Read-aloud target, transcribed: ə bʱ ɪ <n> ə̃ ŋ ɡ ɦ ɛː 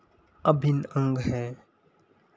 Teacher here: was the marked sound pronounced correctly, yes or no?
yes